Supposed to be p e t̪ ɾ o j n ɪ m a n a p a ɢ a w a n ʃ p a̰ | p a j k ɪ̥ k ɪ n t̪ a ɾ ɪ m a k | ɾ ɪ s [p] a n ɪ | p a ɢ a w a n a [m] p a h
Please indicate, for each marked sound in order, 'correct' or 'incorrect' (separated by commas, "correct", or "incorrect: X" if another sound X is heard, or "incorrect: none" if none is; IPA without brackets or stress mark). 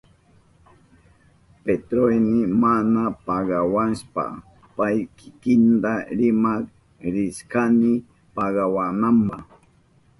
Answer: incorrect: k, correct